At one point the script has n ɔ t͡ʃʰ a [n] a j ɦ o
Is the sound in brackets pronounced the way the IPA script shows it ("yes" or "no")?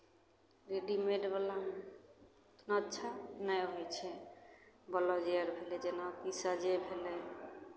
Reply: yes